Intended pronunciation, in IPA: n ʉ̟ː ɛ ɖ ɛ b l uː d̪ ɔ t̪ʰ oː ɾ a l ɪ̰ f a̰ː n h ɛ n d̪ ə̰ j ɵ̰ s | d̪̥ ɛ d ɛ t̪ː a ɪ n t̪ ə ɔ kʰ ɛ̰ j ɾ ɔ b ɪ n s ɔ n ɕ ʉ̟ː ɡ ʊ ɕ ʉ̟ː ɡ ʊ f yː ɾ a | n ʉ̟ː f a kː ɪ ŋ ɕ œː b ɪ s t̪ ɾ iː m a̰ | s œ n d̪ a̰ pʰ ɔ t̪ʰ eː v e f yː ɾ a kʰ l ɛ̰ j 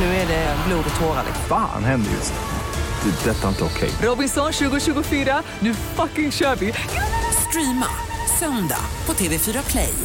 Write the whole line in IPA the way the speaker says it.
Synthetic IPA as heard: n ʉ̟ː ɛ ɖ ɛ b l uː d̪ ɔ t̪ʰ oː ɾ a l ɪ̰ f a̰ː n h ɛ n d̪ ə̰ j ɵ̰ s | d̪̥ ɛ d ɛ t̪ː a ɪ n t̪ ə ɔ kʰ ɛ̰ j ɾ ɔ b ɪ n s ɔ n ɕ ʉ̟ː ɡ ʊ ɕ ʉ̟ː ɡ ʊ f yː ɾ a | n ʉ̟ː f a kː ɪ ŋ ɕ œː v ɪ s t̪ ɾ iː m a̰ | s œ n d̪ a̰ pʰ ɔ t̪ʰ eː v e f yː ɾ a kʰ l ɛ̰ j